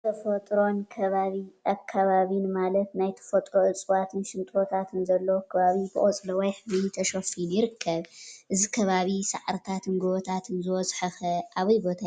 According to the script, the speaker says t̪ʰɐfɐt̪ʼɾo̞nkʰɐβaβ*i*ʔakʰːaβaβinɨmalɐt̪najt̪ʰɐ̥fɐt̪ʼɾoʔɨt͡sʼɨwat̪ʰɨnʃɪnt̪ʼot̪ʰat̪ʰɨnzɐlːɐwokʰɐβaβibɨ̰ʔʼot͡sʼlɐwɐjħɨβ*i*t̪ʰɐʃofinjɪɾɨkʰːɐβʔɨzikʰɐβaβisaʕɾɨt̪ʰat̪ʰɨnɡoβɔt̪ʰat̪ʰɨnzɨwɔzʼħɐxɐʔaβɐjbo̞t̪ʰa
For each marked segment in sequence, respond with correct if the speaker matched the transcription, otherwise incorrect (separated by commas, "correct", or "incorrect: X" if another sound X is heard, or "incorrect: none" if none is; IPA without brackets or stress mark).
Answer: correct, correct